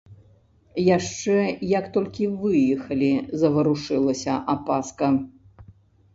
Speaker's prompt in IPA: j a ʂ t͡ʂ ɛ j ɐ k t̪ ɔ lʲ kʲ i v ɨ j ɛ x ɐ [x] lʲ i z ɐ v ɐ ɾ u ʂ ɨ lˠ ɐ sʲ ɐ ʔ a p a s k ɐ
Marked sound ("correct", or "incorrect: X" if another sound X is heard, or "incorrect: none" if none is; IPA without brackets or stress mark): incorrect: none